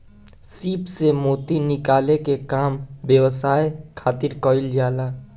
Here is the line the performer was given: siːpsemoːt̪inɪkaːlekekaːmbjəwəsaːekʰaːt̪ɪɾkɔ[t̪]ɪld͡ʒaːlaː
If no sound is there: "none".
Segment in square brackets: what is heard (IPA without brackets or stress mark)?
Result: none